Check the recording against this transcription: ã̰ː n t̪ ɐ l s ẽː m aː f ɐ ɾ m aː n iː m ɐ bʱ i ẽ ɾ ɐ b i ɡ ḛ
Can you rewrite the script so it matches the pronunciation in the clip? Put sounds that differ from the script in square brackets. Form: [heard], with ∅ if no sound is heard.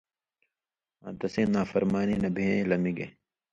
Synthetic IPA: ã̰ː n t̪ ɐ [∅] s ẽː [n] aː f ɐ ɾ m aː n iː [n] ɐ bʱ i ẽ [l] ɐ [m] i ɡ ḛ